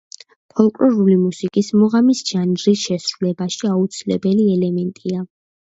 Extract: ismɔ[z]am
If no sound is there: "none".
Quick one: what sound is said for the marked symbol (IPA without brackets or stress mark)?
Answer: ʁ